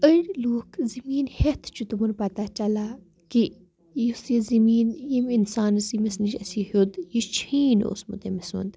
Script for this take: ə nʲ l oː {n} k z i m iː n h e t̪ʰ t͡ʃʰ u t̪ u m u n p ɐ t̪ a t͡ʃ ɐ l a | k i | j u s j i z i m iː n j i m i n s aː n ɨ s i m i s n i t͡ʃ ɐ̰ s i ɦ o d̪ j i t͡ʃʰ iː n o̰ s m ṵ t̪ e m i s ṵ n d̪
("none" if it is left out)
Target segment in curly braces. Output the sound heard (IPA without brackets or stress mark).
none